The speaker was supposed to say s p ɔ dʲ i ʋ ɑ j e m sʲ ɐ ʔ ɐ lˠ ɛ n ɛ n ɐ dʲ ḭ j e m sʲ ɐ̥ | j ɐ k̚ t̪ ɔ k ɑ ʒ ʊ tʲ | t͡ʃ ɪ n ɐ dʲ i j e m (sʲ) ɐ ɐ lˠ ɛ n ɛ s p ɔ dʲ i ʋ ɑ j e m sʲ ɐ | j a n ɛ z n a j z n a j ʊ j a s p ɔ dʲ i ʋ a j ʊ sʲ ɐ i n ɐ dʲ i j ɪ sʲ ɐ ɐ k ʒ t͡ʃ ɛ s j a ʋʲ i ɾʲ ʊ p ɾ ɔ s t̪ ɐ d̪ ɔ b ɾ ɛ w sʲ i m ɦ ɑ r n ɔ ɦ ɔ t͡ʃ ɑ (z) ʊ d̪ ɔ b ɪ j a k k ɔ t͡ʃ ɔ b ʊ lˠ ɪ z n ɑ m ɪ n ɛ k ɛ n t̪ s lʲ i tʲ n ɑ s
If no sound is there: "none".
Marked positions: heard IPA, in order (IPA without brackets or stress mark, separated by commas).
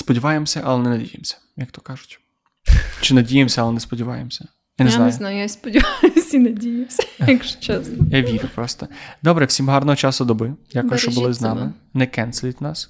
sʲ, s